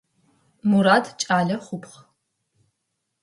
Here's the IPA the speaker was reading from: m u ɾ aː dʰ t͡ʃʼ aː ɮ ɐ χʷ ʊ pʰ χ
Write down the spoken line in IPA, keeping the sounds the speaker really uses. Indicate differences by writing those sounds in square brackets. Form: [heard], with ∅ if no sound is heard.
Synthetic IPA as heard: m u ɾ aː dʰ t͡ʃʼ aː ɮ ɐ χʷ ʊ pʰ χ